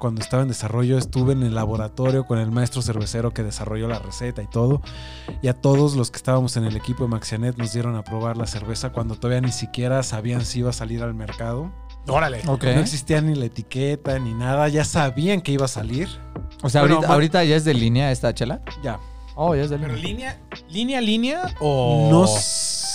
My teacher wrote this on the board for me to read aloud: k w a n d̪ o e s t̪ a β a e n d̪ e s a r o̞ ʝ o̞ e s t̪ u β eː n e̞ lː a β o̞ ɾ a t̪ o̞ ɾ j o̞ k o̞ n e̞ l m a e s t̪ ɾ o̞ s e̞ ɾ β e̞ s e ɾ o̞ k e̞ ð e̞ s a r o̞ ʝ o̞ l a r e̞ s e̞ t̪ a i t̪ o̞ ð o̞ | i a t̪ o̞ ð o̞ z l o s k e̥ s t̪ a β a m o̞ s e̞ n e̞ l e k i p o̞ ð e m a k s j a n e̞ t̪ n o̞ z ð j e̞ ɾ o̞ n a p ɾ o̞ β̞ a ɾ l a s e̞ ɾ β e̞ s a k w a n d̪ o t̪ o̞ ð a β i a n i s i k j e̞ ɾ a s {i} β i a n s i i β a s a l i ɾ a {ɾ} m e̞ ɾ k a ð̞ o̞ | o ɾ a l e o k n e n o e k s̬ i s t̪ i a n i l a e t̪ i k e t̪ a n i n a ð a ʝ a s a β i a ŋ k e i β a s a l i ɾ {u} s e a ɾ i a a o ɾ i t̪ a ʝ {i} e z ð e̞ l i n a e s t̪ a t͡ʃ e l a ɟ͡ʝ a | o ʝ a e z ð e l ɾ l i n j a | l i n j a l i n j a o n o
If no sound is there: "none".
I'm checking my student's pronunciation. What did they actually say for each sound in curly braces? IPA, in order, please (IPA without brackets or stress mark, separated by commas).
a, l, o, a